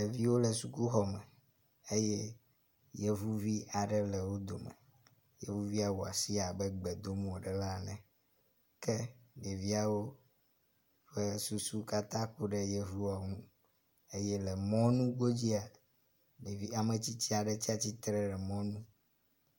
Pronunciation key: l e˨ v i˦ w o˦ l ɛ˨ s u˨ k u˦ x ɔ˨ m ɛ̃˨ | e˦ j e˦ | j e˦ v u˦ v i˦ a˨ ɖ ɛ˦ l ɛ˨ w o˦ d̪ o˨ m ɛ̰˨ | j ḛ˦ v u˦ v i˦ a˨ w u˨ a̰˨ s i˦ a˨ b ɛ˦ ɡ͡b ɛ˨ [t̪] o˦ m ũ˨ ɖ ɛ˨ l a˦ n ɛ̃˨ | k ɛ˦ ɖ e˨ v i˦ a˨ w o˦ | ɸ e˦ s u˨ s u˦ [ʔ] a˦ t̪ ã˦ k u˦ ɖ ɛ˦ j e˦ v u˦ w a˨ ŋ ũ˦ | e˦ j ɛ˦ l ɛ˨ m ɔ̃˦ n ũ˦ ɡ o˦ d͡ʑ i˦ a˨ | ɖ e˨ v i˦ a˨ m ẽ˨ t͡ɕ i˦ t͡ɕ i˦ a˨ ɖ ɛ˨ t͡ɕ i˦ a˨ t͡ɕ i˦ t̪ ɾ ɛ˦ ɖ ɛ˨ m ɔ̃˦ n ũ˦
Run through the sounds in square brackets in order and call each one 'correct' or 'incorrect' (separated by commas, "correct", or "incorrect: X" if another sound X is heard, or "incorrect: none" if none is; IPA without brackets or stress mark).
incorrect: d̪, incorrect: k